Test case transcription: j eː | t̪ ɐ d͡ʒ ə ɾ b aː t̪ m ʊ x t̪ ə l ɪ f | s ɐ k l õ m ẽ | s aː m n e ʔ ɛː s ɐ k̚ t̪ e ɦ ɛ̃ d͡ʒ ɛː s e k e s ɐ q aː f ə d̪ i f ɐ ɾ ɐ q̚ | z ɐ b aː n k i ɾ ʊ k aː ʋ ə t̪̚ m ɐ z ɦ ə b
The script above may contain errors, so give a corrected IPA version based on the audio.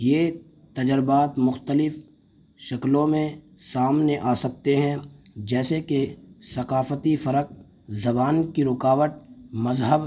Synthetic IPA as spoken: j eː | t̪ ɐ d͡ʒ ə ɾ b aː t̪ m ʊ x t̪ ə l ɪ f | ʃ ɐ k l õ m ẽ | s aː m n e ʔ aː s ɐ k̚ t̪ e ɦ ɛ̃ d͡ʒ ɛː s e k e s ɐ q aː f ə t̪ i f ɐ ɾ ə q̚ | z ɐ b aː n k i ɾ ʊ k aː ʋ ə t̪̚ m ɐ z ɦ ə b

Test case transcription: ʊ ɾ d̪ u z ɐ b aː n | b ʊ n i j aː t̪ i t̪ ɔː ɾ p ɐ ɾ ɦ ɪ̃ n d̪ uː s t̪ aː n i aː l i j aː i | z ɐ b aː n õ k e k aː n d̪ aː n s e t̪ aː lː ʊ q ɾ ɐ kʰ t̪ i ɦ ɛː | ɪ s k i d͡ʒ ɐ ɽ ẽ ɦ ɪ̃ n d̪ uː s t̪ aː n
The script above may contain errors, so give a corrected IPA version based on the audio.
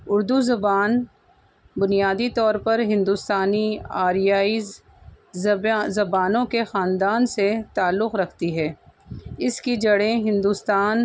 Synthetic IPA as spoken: ʊ ɾ d̪ u z ɐ b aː n | b ʊ n i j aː d̪ i t̪ ɔː ɾ p ɐ ɾ ɦ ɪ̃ n d̪ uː s t̪ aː n i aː ɾ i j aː i | z ɐ b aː n õ k e x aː n d̪ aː n s e t̪ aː lː ʊ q ɾ ɐ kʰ t̪ i ɦ ɛː | ɪ s k i d͡ʒ ɐ ɽ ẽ ɦ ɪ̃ n d̪ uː s t̪ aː n

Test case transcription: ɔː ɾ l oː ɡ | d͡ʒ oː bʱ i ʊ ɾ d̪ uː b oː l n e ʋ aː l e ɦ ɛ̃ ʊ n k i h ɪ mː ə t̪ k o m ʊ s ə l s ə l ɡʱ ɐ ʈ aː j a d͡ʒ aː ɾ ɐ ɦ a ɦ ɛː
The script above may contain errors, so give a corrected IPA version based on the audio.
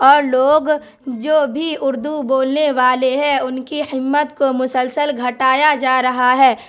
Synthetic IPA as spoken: ɔː ɾ l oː ɡ | d͡ʒ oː bʱ i ʊ ɾ d̪ u b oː l n e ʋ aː l e ɦ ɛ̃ ʊ n k i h ɪ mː ə t̪ k o m ʊ s ə l s ə l ɡʱ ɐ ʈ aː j a d͡ʒ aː ɾ ɐ ɦ a ɦ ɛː

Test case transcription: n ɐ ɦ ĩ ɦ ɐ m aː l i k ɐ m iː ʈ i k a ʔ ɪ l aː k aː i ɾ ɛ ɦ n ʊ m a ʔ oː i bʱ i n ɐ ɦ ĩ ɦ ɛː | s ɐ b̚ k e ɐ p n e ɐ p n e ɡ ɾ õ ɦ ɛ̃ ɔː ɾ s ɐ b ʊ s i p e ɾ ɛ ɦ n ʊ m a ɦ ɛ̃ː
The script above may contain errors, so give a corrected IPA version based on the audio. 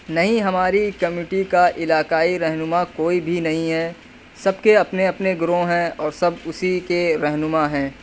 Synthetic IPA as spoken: n ɐ ɦ ĩ ɦ ɐ m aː ɾ i k ɐ m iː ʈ i k a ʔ ɪ l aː k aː i ɾ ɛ ɦ n ʊ m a k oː i bʱ i n ɐ ɦ ĩ ɦ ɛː | s ɐ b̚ k e ɐ p n e ɐ p n e ɡ ɾ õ ɦ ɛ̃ ɔː ɾ s ɐ b ʊ s i k e ɾ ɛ ɦ n ʊ m a ɦ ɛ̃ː

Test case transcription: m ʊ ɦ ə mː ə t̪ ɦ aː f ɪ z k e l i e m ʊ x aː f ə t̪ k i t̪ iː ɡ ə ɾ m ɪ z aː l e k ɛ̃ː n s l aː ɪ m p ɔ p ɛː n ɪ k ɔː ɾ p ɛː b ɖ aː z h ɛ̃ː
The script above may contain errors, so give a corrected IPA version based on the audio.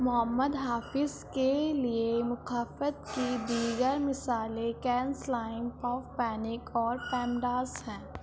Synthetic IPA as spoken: m ʊ ɦ ə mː ə d̪ ɦ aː f ɪ z k e l i e m ʊ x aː f ə t̪ k i d̪ iː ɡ ə ɾ m ɪ s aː l e k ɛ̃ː n s l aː ɪ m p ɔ p ɛː n ɪ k ɔː ɾ p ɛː m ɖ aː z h ɛ̃ː

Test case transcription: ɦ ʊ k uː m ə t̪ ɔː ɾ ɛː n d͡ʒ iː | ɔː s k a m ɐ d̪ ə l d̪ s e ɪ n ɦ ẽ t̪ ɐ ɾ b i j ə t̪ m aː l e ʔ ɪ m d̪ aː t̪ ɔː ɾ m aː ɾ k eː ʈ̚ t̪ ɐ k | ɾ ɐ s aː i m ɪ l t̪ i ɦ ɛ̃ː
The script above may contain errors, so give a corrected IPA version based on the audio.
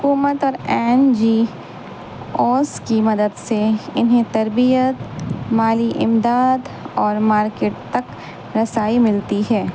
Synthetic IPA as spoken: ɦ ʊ k uː m ə t̪ ɔː ɾ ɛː n d͡ʒ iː | ɔː s k i m ɐ d̪ ə d̪ s e ɪ n ɦ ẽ t̪ ɐ ɾ b i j ə t̪ m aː l i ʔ ɪ m d̪ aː d̪ ɔː ɾ m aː ɾ k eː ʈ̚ t̪ ɐ k | ɾ ɐ s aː i m ɪ l t̪ i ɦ ɛː

